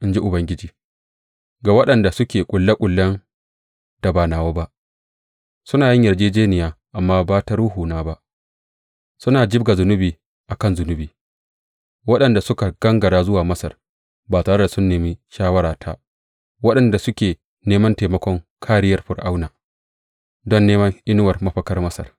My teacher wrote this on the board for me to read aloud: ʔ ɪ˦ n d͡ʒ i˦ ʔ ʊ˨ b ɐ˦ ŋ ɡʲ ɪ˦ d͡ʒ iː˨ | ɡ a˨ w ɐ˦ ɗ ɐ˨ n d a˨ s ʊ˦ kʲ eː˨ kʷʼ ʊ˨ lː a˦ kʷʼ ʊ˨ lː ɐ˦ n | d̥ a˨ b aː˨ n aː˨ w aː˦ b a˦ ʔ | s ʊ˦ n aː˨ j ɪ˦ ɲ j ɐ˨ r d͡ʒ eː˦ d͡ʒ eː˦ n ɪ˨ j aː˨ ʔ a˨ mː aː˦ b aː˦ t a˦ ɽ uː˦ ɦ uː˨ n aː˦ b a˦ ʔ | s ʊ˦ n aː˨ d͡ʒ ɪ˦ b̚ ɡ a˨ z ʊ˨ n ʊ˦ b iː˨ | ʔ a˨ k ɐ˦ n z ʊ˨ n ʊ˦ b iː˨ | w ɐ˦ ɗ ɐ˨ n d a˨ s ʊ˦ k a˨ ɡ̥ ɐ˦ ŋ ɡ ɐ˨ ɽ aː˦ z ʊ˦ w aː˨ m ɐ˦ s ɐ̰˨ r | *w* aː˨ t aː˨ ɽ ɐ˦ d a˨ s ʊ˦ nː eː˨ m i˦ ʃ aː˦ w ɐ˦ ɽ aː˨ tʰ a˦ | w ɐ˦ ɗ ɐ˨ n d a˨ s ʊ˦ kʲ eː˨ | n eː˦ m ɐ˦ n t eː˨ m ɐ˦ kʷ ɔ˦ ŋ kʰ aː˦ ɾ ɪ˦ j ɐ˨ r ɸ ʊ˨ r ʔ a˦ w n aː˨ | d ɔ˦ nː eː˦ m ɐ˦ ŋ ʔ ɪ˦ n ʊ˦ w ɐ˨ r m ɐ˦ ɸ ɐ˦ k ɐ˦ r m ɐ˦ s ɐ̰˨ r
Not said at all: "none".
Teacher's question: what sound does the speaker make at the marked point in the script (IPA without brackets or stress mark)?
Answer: b